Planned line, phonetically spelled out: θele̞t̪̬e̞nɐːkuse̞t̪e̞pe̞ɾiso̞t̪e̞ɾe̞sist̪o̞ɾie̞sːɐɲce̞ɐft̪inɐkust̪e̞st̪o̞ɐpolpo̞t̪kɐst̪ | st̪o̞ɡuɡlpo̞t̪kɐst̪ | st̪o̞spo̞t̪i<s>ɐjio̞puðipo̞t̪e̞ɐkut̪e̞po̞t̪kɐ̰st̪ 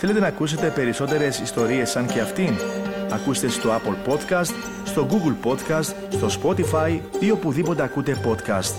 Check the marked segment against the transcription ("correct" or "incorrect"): incorrect